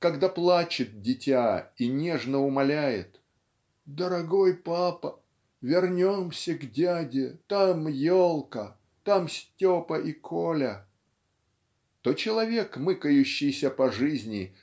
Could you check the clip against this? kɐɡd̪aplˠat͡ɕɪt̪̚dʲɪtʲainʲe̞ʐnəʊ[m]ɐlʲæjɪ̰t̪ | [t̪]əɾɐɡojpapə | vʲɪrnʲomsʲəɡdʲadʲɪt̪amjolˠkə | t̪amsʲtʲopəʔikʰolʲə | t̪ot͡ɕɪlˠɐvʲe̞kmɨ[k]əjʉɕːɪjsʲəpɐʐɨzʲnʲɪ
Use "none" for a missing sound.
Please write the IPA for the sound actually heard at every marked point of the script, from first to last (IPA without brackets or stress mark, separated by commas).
m, d̪, k